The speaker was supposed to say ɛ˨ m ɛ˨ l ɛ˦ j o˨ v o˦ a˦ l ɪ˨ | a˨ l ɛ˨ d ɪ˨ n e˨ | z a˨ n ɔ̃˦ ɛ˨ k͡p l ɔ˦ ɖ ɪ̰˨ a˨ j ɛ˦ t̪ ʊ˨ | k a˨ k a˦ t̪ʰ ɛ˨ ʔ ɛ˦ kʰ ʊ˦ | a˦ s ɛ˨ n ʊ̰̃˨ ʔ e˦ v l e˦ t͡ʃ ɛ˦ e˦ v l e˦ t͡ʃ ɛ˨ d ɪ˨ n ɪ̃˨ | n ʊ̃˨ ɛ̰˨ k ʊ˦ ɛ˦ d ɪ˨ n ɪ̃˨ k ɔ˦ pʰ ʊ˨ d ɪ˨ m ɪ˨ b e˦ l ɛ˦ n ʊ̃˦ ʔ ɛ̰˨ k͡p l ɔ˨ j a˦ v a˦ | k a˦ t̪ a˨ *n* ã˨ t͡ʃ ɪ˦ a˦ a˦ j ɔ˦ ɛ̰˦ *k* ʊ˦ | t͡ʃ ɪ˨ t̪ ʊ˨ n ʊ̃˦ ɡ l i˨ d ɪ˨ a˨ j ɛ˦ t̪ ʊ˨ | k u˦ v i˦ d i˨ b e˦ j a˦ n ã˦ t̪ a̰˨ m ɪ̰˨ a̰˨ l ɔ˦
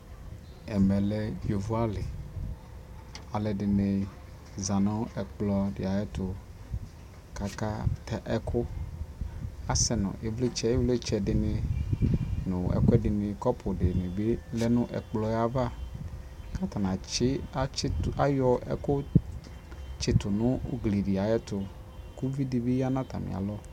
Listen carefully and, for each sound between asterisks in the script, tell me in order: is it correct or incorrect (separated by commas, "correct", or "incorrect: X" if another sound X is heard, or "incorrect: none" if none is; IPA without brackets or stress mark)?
correct, correct